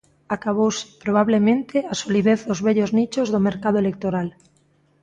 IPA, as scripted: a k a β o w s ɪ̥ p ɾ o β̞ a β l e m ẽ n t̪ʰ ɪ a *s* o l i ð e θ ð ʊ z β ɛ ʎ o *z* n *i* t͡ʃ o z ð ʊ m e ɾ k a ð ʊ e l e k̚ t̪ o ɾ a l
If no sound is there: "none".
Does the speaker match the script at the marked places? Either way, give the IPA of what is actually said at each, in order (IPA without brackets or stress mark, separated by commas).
s, z, i